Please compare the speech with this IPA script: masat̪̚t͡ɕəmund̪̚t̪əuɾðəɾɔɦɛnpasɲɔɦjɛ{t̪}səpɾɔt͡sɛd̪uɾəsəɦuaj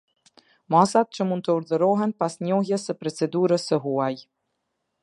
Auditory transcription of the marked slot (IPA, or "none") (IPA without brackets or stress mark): none